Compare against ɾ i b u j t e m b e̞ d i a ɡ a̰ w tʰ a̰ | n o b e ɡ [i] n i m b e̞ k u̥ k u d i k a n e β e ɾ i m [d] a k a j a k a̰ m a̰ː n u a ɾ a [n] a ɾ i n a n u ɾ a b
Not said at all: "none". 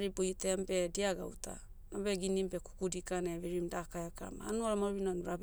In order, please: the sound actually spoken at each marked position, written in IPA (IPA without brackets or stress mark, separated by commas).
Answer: i, d, m